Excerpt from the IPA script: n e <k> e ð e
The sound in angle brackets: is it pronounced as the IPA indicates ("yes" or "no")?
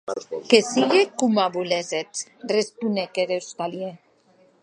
yes